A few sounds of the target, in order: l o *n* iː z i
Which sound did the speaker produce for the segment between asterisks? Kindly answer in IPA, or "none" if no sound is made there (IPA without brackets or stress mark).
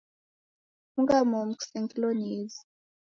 n